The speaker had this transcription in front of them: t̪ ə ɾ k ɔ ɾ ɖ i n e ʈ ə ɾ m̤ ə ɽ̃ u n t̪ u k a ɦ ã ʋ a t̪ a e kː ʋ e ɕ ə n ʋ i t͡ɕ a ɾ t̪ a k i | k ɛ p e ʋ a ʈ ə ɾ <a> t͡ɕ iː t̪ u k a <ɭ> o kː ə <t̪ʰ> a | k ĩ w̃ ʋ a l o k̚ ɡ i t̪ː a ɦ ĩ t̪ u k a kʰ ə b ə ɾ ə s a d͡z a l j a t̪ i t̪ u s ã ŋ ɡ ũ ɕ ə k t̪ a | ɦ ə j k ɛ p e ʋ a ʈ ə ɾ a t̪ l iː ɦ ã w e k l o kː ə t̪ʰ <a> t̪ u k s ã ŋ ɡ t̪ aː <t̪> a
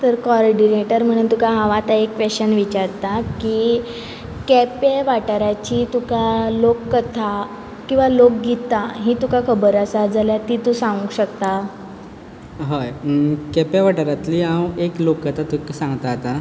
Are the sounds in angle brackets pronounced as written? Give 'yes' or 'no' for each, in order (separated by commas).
yes, no, yes, yes, yes